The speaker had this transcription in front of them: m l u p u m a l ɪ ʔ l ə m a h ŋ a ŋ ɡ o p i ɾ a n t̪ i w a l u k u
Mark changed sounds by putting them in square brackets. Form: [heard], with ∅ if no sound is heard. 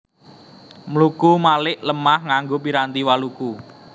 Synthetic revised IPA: m l u [k] u m a l ɪ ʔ l ə m a h ŋ a ŋ ɡ o p i ɾ a n t̪ i w a l u k u